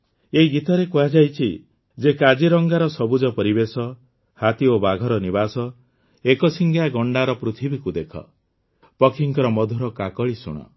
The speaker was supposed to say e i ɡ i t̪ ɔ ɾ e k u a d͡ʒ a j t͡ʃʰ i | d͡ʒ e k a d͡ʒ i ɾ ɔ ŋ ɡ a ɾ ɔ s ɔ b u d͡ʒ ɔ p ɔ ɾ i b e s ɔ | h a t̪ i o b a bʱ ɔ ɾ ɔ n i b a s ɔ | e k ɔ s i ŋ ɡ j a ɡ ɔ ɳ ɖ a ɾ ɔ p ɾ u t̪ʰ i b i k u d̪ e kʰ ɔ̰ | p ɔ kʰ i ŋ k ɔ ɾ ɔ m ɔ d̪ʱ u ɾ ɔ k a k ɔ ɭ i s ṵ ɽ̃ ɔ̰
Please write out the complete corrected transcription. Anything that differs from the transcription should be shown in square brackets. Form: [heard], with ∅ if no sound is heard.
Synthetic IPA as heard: e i ɡ i t̪ ɔ ɾ e k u a d͡ʒ a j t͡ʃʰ i | d͡ʒ e k a d͡ʒ i ɾ ɔ ŋ ɡ a ɾ ɔ s ɔ b u d͡ʒ ɔ p ɔ ɾ i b e s ɔ | h a t̪ i o b a [ɡʱ] ɔ ɾ ɔ n i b a s ɔ | e k ɔ s i ŋ ɡ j a ɡ ɔ ɳ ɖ a ɾ ɔ p ɾ u t̪ʰ i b i k u d̪ e kʰ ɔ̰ | p ɔ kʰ i ŋ k ɔ ɾ ɔ m ɔ d̪ʱ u ɾ ɔ k a k ɔ ɭ i s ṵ ɽ̃ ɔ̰

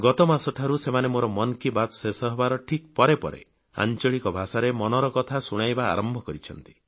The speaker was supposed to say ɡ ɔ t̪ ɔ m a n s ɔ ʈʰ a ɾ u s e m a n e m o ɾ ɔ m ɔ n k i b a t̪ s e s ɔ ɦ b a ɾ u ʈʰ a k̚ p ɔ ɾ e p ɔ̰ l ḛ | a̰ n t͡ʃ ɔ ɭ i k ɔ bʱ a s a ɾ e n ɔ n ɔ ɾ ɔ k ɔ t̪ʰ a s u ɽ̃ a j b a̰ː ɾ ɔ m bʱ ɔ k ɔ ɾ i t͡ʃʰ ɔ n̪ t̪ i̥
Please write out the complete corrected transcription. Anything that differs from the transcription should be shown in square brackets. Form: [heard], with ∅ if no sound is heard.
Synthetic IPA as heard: ɡ ɔ t̪ ɔ m a [∅] s ɔ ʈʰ a ɾ u s e m a n e m o ɾ ɔ m ɔ n k i b a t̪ s e s ɔ ɦ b a ɾ [ɔ] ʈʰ [i] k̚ p ɔ ɾ e p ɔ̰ [ɾ] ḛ | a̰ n t͡ʃ ɔ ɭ i k ɔ bʱ a s a ɾ e [m] ɔ n ɔ ɾ ɔ k ɔ t̪ʰ a s u ɽ̃ a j b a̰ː ɾ ɔ m bʱ ɔ k ɔ ɾ i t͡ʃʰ ɔ n̪ t̪ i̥

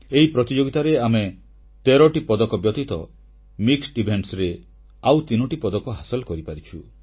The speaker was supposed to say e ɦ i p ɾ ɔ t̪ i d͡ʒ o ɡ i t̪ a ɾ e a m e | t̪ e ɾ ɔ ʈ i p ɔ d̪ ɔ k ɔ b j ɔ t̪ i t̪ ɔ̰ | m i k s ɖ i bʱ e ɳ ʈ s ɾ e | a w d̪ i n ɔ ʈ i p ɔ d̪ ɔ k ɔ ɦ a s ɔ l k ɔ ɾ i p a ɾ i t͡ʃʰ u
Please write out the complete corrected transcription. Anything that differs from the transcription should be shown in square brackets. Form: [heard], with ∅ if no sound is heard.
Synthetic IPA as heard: e ɦ i p ɾ ɔ t̪ i d͡ʒ o ɡ i t̪ a ɾ e a m e | t̪ e ɾ ɔ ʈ i p ɔ d̪ ɔ k ɔ b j ɔ t̪ i t̪ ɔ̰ | m i k s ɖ i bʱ e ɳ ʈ s ɾ e | a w [t̪] i n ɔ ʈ i p ɔ d̪ ɔ k ɔ ɦ a s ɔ l k ɔ ɾ i p a ɾ i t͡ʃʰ u

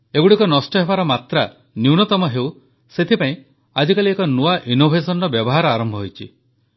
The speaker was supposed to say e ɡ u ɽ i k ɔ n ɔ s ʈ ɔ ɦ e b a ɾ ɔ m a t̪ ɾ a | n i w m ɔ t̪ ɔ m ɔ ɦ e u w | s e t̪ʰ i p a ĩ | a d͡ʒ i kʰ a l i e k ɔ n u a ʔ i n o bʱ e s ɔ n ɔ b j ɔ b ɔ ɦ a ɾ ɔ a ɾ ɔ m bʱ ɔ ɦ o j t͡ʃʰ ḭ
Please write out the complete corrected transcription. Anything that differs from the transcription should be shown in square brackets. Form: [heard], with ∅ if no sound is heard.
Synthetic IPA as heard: e ɡ u ɽ i k ɔ n ɔ s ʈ ɔ ɦ e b a ɾ ɔ m a t̪ ɾ a | n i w [n] ɔ t̪ ɔ m ɔ ɦ e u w | s e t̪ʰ i p a ĩ | a d͡ʒ i [k] a l i e k ɔ n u a ʔ i n o bʱ e s ɔ n ɔ b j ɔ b ɔ ɦ a ɾ ɔ a ɾ ɔ m bʱ ɔ ɦ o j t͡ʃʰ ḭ

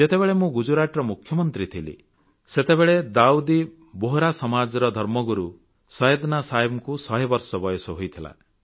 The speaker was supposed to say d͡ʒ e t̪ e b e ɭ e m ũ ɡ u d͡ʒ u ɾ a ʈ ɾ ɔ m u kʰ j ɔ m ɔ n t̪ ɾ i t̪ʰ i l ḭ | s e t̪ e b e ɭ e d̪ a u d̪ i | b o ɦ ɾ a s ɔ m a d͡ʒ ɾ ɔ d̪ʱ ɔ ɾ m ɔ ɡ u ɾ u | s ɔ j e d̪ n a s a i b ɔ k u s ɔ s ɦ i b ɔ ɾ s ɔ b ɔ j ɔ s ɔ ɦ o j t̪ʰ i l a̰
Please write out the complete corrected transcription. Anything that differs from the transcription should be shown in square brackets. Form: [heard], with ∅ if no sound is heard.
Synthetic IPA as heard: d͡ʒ e t̪ e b e ɭ e m ũ ɡ u d͡ʒ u ɾ a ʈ ɾ ɔ m u kʰ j ɔ m ɔ n t̪ ɾ i t̪ʰ i l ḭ | s e t̪ e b e ɭ e d̪ a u d̪ i | b o ɦ ɾ a s ɔ m a d͡ʒ ɾ ɔ d̪ʱ ɔ ɾ m ɔ ɡ u ɾ u | s ɔ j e d̪ n a s a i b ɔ k u s ɔ [∅] ɦ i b ɔ ɾ s ɔ b ɔ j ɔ s ɔ ɦ o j t̪ʰ i l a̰

